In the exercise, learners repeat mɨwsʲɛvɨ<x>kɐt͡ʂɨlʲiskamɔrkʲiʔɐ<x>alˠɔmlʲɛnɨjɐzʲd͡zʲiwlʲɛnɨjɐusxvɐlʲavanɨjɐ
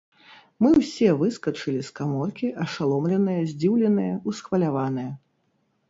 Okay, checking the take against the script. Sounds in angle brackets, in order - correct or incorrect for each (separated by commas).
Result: incorrect, incorrect